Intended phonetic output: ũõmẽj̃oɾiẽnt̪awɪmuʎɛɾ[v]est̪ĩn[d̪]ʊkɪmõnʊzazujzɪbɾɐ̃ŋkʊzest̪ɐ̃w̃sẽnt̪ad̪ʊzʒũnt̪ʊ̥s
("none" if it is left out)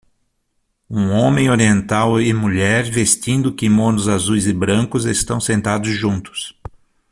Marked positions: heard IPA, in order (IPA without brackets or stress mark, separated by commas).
v, d̪